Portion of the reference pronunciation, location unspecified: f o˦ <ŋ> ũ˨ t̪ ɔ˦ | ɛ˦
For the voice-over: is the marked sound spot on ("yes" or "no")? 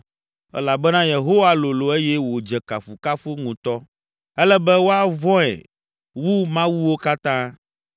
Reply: yes